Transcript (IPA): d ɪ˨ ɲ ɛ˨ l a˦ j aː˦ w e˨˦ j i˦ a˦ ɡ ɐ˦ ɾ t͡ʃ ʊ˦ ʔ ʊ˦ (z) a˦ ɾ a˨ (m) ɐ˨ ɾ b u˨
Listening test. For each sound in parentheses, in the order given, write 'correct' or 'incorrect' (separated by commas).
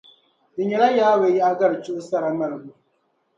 incorrect, correct